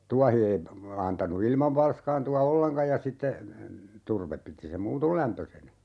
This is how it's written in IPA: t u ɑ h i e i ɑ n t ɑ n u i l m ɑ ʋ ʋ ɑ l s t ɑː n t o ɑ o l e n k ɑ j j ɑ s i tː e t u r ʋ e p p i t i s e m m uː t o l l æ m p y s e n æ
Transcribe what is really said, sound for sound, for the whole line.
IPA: t u ɑ h i e i ɑ n t ɑ n u i l m ɑ ʋ ʋ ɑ l s k ɑː n t u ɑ o lː e ŋ k ɑ j j ɑ s i tː e t u r ʋ e p p i t i s e m m uː t o l l æ m p ø s e n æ